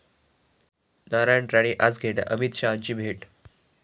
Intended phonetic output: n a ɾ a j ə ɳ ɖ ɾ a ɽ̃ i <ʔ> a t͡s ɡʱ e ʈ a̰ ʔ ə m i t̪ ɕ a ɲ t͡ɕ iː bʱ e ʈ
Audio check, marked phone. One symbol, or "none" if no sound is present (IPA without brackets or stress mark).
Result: ʔ